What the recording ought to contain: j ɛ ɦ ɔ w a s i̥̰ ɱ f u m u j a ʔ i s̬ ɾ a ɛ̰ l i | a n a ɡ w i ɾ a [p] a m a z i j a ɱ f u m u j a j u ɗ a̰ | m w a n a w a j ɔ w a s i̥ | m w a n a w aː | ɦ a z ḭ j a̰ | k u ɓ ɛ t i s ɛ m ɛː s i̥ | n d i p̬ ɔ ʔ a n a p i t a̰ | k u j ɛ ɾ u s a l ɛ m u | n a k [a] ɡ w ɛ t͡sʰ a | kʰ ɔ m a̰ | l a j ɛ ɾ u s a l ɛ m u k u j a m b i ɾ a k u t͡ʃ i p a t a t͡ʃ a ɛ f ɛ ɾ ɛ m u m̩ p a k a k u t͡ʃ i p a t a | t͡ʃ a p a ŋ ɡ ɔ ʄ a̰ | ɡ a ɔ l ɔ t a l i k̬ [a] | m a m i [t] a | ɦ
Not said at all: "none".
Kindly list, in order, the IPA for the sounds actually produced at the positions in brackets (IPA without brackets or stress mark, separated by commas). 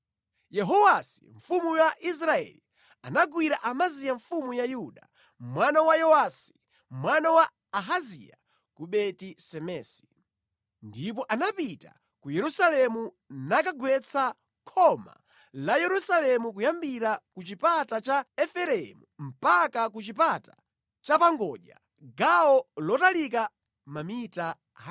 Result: ʔ, a, a, t